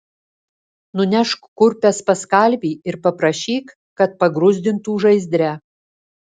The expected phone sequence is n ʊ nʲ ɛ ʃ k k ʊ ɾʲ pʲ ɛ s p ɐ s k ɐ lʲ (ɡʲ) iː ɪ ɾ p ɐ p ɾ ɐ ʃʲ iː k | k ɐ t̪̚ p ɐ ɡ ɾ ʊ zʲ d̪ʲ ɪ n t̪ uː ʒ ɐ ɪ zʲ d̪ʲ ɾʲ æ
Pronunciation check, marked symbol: incorrect: bʲ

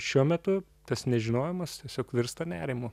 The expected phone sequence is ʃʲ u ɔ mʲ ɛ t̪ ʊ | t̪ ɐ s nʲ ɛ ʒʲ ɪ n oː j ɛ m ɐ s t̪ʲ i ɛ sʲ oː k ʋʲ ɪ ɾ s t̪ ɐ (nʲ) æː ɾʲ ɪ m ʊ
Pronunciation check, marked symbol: correct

